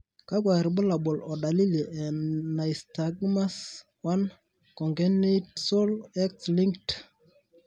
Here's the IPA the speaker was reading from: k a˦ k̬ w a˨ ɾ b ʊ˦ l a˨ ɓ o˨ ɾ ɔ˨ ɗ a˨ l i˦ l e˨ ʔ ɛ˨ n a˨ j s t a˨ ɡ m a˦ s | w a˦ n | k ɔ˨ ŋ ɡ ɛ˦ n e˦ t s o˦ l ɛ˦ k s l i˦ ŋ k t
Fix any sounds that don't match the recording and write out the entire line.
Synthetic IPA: k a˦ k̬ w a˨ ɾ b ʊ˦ l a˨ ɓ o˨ l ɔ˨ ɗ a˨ l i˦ l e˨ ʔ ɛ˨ n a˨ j s t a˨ ɡ m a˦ s | w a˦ n | k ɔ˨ ŋ ɡ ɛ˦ n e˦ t s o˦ l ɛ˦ k s l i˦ ŋ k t